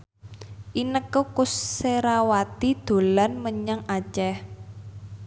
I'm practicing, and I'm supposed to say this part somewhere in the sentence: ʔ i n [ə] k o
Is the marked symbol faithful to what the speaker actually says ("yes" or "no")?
yes